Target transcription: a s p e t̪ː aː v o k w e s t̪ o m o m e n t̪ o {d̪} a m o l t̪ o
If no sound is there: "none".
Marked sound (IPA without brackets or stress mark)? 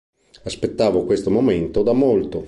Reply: d̪